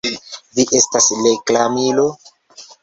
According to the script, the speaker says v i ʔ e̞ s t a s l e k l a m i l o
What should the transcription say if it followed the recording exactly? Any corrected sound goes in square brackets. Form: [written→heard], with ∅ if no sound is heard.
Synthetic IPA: v i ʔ e̞ s t a s l e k l a m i l o